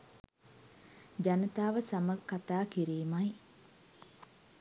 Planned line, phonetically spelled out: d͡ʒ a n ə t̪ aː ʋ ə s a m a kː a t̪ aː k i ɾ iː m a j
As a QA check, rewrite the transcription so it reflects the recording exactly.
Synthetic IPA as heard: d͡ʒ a n ə t̪ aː ʋ ə s a m ə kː a t̪ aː k i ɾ iː m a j